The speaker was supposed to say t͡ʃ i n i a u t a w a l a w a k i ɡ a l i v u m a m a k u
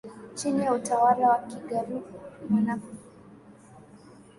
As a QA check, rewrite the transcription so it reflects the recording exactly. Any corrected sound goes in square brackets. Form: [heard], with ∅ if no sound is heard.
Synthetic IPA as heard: t͡ʃ i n i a u t a w a l a w a k i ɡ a [ɾ] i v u m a [n] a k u